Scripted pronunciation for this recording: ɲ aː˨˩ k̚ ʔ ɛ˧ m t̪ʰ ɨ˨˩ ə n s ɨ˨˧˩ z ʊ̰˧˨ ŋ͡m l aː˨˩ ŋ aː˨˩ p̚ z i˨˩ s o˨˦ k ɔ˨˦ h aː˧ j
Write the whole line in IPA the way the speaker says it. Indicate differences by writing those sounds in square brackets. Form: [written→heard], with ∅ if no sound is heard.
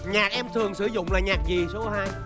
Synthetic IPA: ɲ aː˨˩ k̚ ʔ ɛ˧ m t̪ʰ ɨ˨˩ ə [n→ŋ] s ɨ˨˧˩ z ʊ̰˧˨ ŋ͡m l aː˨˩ [ŋ→ɲ] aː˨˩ [p̚→k̚] z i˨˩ s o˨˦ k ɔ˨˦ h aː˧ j